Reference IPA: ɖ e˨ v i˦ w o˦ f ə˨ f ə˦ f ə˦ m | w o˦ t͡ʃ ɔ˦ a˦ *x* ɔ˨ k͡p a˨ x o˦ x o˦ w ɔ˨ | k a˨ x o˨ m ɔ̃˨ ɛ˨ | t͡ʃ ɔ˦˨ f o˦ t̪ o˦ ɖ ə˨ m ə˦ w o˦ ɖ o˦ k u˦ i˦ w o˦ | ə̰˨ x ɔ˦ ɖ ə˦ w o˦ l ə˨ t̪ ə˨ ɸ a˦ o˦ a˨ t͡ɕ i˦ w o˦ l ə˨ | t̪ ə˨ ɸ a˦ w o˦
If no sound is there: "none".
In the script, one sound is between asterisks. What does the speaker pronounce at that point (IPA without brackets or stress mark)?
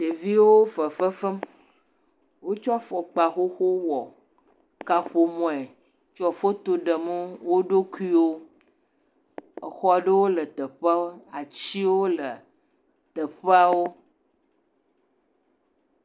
f